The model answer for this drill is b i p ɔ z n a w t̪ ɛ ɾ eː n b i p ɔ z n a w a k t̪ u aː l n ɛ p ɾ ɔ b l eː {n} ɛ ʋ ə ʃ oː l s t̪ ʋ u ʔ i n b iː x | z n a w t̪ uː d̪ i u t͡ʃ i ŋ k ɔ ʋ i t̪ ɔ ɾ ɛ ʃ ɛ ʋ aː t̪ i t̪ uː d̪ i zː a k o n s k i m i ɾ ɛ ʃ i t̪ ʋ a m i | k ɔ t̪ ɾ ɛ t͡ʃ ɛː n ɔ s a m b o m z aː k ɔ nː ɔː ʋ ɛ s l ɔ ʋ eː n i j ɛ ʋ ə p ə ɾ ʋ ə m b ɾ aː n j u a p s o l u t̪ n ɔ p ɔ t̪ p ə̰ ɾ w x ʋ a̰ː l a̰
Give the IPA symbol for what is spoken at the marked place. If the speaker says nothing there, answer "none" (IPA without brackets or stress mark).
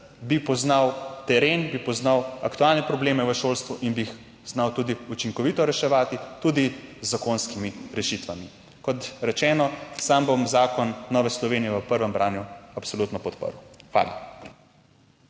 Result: m